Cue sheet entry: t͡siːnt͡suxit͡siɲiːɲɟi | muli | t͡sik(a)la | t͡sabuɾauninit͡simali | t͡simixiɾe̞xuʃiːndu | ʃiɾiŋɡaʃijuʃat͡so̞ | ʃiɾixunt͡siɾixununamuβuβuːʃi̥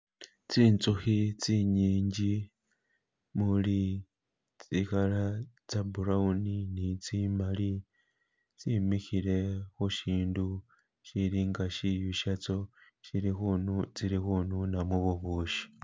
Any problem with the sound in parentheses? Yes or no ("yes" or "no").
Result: no